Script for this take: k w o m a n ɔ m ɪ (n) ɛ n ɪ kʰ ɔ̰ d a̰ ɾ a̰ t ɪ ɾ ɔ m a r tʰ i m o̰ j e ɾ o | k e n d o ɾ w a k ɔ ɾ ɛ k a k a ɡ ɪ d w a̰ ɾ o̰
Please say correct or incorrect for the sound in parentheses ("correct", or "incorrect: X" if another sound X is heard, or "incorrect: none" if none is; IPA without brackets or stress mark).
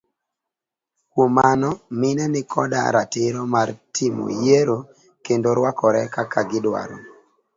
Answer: correct